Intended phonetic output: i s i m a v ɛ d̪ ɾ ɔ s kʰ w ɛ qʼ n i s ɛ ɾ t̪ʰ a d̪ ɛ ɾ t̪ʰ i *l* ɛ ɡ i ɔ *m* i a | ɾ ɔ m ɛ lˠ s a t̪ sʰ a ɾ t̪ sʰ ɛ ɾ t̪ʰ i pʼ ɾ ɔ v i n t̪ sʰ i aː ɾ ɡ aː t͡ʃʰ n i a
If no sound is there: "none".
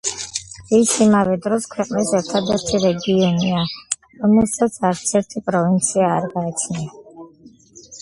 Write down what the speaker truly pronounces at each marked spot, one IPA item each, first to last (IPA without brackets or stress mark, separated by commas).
ɾ, n